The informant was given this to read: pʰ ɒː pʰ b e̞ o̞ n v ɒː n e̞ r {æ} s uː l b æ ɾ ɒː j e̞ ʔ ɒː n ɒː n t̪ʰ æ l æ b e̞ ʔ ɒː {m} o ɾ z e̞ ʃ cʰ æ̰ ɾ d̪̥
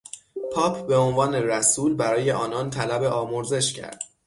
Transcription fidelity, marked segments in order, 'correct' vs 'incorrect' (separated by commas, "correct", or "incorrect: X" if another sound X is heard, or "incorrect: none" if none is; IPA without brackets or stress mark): correct, correct